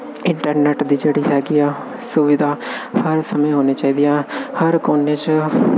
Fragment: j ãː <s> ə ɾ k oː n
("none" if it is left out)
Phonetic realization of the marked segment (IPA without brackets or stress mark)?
h